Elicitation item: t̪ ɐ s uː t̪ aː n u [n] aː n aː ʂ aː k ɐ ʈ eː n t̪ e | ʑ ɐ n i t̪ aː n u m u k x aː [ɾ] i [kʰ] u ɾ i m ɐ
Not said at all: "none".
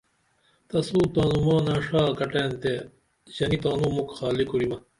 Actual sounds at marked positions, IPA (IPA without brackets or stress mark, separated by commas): m, l, k